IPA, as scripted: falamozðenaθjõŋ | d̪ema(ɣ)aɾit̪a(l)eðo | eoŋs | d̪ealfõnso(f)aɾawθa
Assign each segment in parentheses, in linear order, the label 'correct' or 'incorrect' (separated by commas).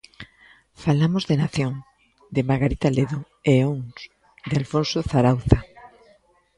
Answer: correct, correct, incorrect